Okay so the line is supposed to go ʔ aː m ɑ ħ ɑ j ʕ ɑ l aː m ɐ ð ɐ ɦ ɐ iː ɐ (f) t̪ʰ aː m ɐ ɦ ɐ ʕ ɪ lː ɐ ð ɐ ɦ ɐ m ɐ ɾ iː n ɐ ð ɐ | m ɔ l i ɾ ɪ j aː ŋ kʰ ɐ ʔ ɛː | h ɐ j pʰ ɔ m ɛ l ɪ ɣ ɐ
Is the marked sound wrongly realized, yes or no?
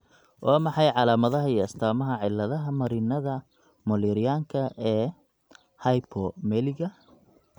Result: yes